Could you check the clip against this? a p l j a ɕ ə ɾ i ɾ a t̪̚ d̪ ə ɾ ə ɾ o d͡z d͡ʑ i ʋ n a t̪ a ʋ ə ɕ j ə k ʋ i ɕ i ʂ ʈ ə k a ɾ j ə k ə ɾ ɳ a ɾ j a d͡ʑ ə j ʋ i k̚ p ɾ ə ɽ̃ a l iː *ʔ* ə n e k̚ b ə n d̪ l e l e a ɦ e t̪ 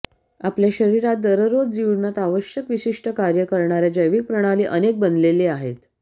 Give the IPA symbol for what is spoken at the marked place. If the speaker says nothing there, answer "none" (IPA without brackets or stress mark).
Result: ʔ